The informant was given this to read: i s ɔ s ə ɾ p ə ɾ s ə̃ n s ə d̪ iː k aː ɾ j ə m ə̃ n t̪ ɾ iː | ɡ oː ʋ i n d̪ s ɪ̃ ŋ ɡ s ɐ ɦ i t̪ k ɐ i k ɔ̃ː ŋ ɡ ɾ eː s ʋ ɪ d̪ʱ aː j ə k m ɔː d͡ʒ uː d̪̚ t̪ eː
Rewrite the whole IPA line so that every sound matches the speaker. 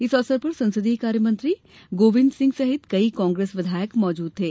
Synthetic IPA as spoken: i s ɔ s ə ɾ p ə ɾ s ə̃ n s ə d̪ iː k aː ɾ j ə m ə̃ n t̪ ɾ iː | ɡ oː ʋ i n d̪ s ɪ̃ ŋ ɡ s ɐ ɦ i t̪ k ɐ i k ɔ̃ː ŋ ɡ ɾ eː s ʋ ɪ d̪ʱ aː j ə k m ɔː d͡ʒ uː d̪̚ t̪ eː